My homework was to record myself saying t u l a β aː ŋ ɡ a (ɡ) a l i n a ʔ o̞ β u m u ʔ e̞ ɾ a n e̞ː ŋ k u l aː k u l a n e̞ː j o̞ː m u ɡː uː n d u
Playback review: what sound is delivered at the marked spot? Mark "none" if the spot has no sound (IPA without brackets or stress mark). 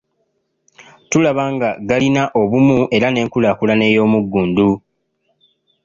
ɡ